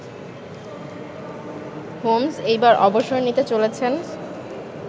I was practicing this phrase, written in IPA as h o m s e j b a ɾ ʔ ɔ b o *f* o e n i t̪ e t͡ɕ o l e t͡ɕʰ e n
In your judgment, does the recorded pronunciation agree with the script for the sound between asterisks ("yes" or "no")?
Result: no